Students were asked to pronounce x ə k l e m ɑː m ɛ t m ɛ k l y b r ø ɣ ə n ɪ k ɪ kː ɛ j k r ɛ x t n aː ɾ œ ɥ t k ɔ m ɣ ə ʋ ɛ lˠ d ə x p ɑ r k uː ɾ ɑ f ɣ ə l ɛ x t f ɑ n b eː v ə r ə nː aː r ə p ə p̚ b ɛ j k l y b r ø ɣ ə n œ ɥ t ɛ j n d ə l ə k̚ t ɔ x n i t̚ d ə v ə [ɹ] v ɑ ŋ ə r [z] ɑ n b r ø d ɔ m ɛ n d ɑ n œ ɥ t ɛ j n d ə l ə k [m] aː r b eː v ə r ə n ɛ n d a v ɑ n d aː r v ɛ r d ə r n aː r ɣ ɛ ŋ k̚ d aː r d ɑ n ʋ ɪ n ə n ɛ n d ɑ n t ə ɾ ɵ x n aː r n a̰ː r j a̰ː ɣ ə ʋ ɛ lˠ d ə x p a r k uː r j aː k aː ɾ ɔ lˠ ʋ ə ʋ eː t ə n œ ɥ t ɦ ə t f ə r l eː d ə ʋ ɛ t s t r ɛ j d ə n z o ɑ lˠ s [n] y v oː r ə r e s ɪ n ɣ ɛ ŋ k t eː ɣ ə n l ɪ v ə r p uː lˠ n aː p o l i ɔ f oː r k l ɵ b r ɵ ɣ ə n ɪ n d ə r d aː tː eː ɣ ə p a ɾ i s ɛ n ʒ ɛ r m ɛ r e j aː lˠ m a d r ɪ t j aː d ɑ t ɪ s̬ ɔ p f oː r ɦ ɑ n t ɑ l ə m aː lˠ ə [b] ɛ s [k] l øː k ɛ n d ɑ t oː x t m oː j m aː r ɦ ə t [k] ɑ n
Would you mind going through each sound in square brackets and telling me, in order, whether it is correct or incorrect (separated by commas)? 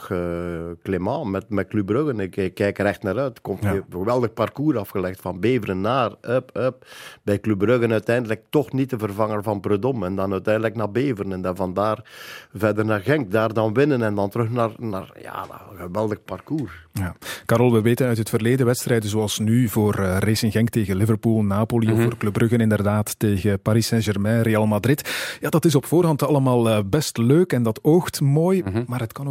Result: incorrect, incorrect, incorrect, correct, correct, incorrect, correct